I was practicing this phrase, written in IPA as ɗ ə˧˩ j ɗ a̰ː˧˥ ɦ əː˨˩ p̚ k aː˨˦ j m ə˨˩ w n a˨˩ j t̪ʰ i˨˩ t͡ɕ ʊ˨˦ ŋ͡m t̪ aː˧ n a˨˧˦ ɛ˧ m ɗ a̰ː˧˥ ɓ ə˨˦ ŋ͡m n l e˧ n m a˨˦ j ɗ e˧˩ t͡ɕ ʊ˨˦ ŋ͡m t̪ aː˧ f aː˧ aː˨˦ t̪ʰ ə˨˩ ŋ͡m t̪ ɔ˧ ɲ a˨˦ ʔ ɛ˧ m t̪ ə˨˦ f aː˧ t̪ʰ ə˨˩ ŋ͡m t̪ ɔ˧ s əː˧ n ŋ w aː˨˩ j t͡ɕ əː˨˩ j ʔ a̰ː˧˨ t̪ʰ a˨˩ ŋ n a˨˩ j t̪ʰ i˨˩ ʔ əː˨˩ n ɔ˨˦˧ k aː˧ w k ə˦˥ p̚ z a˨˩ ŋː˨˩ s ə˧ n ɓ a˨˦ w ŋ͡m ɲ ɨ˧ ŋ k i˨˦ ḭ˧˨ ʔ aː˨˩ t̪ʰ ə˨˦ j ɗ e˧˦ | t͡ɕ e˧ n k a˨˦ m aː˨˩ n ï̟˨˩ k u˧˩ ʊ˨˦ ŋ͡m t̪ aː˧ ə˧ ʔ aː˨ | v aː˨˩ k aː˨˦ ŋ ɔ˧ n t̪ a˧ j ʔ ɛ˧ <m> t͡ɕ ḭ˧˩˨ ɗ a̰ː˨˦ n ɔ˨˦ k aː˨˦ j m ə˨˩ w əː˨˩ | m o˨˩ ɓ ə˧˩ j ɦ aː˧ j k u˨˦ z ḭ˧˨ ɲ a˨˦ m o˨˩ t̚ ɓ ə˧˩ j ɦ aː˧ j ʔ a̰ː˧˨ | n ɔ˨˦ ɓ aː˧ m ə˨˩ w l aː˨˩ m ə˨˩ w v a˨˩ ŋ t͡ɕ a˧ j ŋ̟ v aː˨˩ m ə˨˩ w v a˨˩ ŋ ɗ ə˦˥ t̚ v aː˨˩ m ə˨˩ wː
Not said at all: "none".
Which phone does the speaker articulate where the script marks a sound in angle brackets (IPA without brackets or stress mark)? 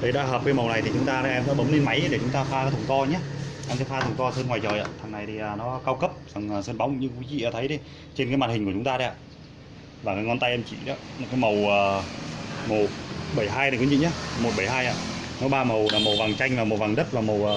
m